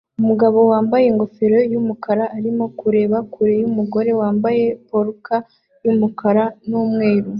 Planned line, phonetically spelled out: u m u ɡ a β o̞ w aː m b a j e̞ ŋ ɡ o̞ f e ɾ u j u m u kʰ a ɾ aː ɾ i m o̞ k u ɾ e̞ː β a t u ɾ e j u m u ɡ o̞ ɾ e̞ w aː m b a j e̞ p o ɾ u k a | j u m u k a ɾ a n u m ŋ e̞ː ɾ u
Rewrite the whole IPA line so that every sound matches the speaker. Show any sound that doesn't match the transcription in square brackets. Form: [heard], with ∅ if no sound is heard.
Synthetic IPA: u m u ɡ a β o̞ w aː m b a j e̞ ŋ ɡ o̞ f e ɾ [o] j u m u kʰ a ɾ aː ɾ i m o̞ k u ɾ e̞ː β a [k] u ɾ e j u m u ɡ o̞ ɾ e̞ w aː m b a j e̞ p o ɾ u k a | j u m u k a ɾ a n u m ŋ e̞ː ɾ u